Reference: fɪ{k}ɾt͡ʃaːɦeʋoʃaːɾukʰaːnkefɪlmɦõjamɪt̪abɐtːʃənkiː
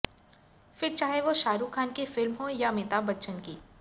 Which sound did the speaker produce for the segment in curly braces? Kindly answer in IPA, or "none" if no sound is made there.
none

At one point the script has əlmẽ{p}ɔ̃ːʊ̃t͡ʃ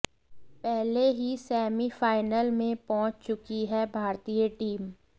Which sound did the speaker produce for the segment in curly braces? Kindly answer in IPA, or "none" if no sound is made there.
p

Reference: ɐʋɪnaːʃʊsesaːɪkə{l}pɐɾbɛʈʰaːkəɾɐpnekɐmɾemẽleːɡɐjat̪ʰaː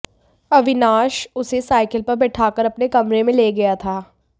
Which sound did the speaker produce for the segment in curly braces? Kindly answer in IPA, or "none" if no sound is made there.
l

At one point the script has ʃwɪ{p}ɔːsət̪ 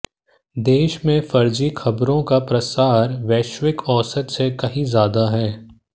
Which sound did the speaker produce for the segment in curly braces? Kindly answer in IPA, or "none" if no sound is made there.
k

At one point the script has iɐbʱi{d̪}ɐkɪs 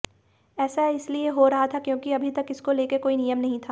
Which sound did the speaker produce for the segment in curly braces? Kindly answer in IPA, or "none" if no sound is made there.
t̪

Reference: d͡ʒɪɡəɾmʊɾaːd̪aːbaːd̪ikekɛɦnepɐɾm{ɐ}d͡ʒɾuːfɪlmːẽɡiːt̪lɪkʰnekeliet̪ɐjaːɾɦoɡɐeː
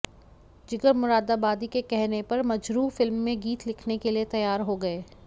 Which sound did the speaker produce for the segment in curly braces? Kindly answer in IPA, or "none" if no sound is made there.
ɐ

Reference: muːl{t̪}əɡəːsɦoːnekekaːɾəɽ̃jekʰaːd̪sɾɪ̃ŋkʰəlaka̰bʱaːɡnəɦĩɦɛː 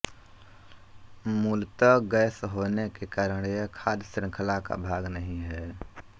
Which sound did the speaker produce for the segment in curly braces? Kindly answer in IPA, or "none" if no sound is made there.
t̪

